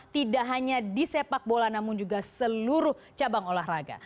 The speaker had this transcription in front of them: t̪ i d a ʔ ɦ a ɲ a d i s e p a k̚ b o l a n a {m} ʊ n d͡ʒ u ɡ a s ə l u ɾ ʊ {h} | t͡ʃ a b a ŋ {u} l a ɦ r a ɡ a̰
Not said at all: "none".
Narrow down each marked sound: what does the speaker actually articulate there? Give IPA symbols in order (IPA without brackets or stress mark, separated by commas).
m, h, o